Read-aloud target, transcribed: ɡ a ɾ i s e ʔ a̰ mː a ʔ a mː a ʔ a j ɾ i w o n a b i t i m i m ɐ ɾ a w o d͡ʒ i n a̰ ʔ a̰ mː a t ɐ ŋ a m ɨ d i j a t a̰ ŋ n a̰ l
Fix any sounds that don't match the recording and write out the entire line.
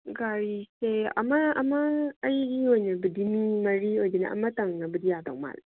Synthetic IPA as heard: ɡ a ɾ i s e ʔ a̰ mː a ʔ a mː a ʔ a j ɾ i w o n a b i d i m i m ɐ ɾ i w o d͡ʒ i n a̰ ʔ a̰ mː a t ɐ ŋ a b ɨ d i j a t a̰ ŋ m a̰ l